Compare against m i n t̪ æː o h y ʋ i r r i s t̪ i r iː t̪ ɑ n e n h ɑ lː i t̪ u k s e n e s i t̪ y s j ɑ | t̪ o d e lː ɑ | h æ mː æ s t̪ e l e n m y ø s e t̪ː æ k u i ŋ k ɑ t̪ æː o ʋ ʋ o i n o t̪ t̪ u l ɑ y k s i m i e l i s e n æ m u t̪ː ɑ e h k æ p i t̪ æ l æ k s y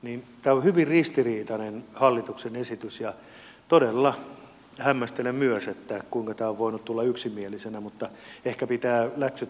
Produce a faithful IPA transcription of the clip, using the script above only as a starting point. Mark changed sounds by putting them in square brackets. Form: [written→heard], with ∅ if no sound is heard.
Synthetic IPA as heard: [m→n] i n t̪ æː o h y ʋ i r r i s t̪ i r iː t̪ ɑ n e n h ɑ lː i t̪ u k s e n e s i t̪ y s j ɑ | t̪ o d e lː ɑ | h æ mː æ s t̪ e l e [n→m] m y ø s e t̪ː æ k u i ŋ k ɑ t̪ æː o ʋ ʋ o i n [o→u] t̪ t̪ u [l→lː] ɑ y k s i m i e l i s e n æ m u t̪ː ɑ e h k æ p i t̪ [æ→æː] l æ k s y